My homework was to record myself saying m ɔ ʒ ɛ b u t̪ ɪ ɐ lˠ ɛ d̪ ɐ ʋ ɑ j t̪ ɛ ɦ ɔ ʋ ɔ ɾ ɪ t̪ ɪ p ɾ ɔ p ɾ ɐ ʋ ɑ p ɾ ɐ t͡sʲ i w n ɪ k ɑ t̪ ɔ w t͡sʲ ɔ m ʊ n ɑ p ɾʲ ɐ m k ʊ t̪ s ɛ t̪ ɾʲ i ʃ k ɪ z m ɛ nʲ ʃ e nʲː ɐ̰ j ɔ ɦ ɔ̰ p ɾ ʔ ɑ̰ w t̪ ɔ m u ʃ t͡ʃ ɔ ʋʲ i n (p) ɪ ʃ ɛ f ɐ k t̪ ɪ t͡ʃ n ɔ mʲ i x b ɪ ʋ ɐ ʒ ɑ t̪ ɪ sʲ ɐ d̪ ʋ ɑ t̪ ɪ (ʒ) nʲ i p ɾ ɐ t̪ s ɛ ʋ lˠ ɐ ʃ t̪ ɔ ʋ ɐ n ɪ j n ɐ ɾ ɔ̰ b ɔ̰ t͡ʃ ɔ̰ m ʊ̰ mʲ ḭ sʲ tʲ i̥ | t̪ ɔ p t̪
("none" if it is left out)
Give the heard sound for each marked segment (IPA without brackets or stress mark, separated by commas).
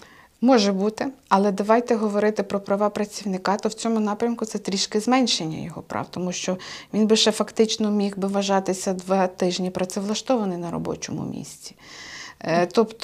b, ʒ